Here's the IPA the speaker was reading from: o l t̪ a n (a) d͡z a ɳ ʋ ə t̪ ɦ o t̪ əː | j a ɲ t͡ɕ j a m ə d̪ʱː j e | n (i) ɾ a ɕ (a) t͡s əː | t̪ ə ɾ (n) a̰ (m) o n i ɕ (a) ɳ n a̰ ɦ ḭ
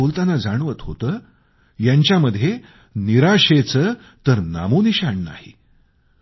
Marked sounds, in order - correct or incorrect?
correct, correct, incorrect: e, correct, correct, correct

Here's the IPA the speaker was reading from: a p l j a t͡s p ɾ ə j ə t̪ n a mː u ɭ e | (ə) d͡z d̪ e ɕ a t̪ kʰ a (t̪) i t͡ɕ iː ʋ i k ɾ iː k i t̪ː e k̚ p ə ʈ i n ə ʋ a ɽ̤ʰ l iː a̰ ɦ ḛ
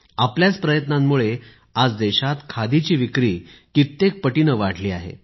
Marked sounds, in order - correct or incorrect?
incorrect: a, incorrect: d̪

